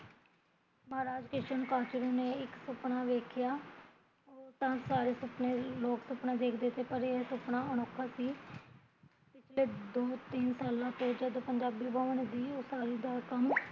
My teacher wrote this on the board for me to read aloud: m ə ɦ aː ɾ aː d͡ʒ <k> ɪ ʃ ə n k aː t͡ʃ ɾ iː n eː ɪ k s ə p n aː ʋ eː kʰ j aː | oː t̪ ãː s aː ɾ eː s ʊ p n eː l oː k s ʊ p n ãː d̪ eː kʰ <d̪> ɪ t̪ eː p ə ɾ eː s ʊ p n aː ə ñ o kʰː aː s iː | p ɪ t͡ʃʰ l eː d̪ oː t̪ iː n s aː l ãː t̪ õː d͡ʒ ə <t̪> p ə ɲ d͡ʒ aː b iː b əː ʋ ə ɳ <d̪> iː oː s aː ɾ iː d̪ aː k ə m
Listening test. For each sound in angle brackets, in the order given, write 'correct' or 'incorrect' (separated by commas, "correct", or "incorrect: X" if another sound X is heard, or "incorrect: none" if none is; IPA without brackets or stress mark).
correct, correct, incorrect: d̪, correct